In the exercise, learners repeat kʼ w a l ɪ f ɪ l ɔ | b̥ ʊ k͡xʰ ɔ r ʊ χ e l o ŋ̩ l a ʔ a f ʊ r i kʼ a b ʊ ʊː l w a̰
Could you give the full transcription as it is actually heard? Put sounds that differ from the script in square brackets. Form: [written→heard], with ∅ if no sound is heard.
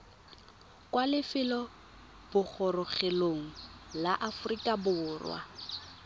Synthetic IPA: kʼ w a l ɪ f ɪ l ɔ | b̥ ʊ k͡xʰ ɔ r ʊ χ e l o ŋ̩ l a ʔ a f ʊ r i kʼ a b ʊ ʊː [l→r] w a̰